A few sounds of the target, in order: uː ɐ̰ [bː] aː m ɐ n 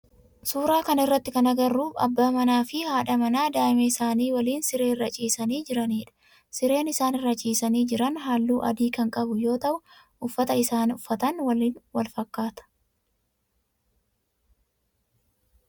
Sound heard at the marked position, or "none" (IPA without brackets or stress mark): bː